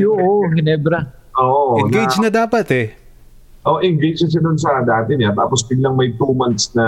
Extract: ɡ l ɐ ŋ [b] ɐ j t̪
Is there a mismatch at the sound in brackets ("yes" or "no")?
yes